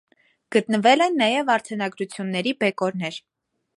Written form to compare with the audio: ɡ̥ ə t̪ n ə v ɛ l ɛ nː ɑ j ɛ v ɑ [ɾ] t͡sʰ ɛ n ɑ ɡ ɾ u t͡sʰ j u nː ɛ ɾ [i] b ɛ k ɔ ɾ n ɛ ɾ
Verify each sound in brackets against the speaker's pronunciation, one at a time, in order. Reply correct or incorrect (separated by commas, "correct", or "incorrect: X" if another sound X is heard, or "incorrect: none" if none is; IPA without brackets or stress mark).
correct, correct